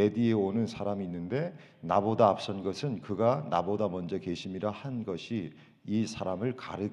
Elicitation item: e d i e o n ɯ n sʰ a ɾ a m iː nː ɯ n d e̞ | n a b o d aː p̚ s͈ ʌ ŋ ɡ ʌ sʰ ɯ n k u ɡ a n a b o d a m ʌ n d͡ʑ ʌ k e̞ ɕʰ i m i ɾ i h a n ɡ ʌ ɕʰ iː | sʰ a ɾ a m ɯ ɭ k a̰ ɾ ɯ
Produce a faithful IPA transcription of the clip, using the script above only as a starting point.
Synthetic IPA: e d i e o n ɯ n sʰ a ɾ a m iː nː ɯ n d e̞ | n a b o d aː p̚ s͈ ʌ n ɡ ʌ sʰ ɯ n k ɯ ɡ a n a b o d a m ʌ n d͡ʑ ʌ k e̞ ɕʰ i m i ɾ a h a n ɡ ʌ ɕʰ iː | sʰ a ɾ a m ɯ ɭ k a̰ ɾ ɯ